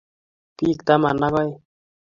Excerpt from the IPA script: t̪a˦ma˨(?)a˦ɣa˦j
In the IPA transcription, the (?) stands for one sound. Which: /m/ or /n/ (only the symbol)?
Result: n